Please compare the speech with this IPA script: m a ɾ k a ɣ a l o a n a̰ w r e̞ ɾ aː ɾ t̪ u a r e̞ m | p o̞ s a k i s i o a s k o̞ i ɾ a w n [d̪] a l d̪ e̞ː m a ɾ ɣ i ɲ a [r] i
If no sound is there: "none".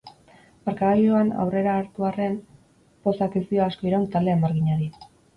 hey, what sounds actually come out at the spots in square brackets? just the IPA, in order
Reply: t̪, ɾ

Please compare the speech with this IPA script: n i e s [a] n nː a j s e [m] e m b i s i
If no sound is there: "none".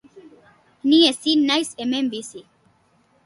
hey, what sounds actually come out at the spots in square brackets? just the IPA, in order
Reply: i, m

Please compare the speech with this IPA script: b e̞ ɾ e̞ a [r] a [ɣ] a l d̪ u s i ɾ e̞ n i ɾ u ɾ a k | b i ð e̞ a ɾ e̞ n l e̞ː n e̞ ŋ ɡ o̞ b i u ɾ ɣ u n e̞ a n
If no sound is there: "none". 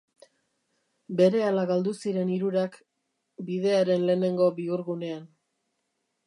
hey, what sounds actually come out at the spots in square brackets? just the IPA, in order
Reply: l, ɣ

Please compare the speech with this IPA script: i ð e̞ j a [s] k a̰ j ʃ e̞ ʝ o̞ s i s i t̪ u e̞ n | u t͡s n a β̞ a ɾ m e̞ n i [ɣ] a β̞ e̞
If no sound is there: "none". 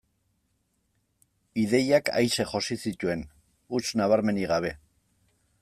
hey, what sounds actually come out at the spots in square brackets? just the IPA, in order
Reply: none, ɣ

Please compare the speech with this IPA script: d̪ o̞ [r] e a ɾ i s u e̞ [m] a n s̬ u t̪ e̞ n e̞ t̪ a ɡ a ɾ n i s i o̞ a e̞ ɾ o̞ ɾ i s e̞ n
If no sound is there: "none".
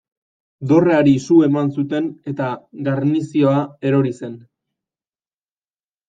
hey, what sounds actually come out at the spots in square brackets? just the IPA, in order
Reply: r, m

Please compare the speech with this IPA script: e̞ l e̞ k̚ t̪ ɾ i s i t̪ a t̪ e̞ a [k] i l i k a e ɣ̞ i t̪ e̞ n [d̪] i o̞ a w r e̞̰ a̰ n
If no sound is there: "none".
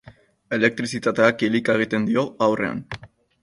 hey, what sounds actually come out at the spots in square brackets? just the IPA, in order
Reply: k, d̪

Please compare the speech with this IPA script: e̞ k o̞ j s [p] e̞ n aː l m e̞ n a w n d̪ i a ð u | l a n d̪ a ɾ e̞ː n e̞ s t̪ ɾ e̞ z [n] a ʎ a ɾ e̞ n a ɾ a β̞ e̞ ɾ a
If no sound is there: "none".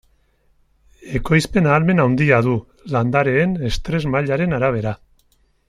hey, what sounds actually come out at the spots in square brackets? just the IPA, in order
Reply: p, m

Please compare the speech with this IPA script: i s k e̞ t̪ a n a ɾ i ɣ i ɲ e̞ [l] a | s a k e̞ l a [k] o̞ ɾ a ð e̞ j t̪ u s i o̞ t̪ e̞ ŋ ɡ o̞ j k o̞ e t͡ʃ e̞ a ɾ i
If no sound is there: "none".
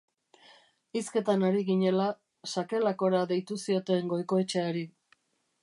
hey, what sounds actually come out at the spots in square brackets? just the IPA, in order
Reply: l, k

